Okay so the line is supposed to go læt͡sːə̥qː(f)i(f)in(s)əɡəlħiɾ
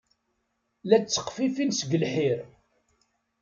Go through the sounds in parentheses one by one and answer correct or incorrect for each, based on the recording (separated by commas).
correct, correct, correct